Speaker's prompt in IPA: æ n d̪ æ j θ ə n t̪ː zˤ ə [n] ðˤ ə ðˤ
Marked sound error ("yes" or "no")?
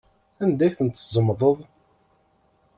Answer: yes